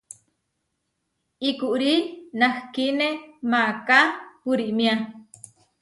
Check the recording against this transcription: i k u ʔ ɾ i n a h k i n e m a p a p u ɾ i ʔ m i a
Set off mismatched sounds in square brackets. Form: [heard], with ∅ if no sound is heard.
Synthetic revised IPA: i k u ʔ ɾ i n a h k i n e m a [k] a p u ɾ i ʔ m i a